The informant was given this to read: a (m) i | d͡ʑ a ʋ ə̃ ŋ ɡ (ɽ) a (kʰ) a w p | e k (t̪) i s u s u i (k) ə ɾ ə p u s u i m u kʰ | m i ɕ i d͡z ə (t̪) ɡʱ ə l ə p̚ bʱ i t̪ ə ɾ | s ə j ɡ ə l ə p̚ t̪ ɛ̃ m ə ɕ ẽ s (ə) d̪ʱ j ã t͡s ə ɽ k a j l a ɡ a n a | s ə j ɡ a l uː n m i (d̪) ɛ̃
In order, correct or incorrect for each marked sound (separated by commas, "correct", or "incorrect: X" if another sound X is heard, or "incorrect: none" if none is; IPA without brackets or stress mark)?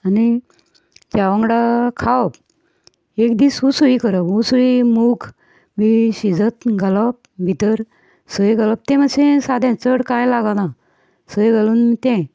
incorrect: n, correct, correct, incorrect: d̪, correct, correct, incorrect: a, incorrect: t̪